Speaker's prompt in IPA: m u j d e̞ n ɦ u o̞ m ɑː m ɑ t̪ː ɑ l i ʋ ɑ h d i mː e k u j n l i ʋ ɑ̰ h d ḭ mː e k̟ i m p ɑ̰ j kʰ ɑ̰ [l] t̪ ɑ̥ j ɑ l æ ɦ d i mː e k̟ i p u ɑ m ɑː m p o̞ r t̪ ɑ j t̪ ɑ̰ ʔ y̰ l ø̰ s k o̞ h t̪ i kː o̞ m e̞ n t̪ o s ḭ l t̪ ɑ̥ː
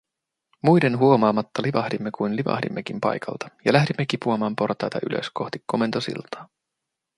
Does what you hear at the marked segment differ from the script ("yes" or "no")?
no